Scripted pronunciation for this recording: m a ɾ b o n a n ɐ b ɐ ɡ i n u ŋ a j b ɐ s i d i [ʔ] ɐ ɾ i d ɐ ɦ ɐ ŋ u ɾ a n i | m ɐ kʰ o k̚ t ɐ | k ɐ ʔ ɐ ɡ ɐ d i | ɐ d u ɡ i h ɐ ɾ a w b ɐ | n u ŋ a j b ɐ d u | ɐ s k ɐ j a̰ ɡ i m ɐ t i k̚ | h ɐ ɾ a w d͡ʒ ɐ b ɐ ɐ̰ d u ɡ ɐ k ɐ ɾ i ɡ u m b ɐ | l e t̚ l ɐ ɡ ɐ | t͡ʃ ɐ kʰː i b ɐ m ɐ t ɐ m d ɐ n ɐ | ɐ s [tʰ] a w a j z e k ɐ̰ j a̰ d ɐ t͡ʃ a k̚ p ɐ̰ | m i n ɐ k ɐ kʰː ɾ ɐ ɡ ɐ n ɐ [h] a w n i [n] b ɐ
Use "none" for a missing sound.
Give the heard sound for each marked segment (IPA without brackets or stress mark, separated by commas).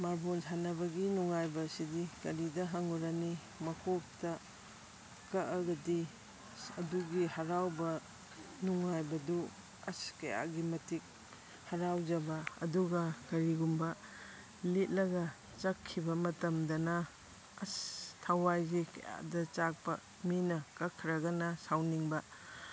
k, tʰ, s, ŋ